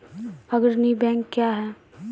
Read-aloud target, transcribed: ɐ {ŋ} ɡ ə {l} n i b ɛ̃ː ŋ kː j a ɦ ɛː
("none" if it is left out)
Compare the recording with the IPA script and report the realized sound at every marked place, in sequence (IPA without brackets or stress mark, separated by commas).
none, ɾ